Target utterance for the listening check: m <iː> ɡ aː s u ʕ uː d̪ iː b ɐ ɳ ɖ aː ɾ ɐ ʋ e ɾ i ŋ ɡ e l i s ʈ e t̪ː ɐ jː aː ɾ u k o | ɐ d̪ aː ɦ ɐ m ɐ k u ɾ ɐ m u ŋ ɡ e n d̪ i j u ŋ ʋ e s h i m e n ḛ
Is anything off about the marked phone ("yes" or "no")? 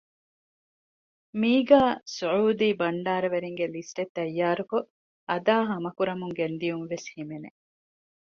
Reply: no